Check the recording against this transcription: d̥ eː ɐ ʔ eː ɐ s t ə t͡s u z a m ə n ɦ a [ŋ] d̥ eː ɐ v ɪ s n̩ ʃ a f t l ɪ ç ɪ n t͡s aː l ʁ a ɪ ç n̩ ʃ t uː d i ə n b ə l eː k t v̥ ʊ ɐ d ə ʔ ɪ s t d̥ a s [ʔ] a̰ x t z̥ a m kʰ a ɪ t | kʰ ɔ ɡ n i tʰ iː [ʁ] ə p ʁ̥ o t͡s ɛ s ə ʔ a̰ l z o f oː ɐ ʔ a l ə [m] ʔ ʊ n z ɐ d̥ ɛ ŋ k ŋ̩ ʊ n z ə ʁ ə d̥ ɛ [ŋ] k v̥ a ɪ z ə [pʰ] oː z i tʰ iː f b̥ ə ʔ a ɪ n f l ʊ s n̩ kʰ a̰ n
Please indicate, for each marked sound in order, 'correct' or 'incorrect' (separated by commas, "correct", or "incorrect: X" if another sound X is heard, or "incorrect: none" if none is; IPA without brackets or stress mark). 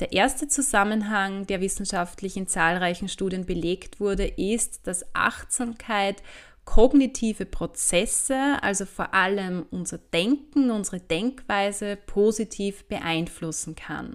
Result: correct, correct, incorrect: v, correct, correct, correct